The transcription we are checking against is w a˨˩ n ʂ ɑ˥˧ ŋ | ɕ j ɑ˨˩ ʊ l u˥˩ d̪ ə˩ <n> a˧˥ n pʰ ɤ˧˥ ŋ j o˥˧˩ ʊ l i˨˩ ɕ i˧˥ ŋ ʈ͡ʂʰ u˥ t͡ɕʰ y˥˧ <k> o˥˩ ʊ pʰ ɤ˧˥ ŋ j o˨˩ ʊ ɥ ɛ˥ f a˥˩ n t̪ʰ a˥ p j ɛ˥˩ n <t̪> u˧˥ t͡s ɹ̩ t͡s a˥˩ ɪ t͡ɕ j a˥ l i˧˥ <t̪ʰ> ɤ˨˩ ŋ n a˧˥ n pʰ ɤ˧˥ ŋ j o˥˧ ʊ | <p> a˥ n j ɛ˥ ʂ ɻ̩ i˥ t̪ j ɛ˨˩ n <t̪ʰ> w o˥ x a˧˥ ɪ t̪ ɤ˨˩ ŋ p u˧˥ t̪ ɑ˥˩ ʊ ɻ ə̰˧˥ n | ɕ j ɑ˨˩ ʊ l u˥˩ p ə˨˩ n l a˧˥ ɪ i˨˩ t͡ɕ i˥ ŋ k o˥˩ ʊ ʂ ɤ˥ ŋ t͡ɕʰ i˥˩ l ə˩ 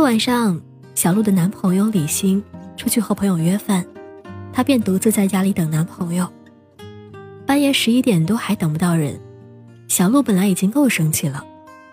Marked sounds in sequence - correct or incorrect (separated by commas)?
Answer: correct, incorrect, correct, incorrect, correct, incorrect